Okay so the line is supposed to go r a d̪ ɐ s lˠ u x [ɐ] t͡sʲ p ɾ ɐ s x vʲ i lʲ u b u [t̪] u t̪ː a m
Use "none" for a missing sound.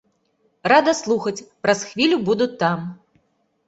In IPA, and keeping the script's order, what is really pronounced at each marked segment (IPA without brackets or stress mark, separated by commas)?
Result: ɐ, d̪